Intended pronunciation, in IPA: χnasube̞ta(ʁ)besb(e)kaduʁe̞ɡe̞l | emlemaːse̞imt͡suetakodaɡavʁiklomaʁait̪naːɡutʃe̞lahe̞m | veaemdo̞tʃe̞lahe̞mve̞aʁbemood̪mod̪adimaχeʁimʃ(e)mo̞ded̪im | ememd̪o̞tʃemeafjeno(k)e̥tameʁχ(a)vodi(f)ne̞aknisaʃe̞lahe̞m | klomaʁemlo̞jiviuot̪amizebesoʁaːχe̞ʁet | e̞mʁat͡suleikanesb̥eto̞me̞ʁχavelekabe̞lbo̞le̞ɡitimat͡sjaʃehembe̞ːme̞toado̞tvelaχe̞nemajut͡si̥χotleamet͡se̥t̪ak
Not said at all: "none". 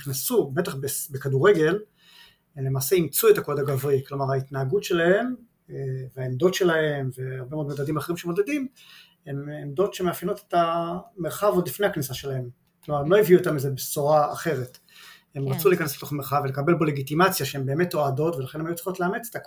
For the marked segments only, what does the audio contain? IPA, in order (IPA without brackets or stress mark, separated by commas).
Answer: χ, e, e, t, a, f